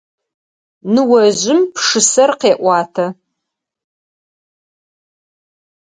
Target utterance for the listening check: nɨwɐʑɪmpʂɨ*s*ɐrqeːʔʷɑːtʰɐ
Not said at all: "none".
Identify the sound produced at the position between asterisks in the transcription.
s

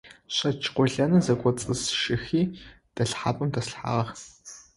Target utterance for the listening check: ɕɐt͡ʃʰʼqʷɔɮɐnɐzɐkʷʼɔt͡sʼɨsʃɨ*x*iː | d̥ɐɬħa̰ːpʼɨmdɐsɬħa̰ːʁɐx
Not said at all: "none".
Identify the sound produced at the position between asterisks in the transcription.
x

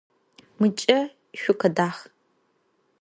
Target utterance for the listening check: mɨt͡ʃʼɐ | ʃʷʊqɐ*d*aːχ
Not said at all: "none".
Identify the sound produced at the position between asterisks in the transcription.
d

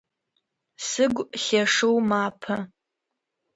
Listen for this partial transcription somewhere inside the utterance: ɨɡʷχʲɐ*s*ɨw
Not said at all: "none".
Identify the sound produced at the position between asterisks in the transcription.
ʂ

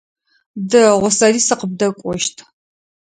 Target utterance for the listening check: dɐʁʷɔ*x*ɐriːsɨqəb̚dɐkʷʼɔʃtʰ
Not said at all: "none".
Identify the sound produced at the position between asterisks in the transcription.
s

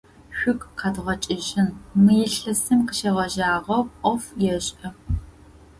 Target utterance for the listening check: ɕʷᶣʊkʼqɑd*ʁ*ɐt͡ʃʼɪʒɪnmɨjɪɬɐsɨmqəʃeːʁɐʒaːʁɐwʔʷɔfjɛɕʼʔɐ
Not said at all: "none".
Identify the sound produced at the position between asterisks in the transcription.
ʁ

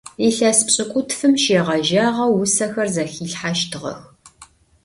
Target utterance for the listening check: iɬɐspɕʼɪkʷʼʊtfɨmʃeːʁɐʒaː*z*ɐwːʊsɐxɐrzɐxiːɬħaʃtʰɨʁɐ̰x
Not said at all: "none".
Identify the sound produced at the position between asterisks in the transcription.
ʁ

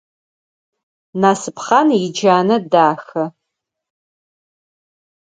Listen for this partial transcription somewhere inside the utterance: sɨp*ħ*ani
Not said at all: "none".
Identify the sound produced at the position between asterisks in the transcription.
χ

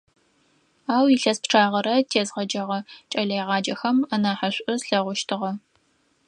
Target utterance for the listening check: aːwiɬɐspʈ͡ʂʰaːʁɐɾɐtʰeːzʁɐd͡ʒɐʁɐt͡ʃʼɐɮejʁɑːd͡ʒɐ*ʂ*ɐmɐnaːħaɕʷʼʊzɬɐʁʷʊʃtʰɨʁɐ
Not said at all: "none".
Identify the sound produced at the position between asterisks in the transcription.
x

